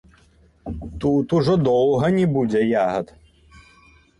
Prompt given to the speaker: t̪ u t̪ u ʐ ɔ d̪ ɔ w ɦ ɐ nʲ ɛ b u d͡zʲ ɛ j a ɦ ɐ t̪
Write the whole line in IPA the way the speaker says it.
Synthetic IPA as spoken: t̪ u t̪ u ʐ ɔ d̪ ɔ w ɦ ɐ nʲ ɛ b u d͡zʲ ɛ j a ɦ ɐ t̪